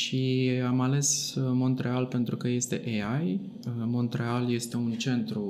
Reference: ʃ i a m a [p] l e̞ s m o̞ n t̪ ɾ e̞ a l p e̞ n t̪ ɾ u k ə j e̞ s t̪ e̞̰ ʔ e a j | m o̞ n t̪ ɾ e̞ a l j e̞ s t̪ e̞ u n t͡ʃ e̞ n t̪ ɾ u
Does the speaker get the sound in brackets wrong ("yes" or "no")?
yes